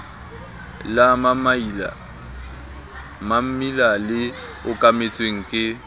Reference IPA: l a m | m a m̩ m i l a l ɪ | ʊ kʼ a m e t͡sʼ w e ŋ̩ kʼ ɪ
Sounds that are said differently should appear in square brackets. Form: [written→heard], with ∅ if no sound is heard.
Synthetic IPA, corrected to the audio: l a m | m a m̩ m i l a l ɪ | ʊ kʼ a m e t͡sʼ w e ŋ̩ kʼ ɪ